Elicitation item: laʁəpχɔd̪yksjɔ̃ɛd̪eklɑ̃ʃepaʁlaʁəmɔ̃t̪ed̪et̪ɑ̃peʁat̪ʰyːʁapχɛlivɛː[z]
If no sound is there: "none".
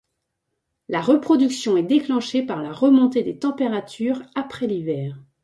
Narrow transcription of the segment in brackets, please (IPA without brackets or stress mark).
ʁ